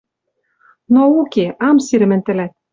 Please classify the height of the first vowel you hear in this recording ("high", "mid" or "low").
mid